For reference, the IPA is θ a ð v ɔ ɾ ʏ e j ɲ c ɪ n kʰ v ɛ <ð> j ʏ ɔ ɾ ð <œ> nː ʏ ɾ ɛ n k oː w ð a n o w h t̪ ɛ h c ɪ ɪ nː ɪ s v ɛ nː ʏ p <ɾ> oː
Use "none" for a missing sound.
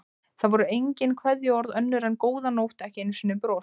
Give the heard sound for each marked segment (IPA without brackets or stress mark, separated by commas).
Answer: ð, œ, ɾ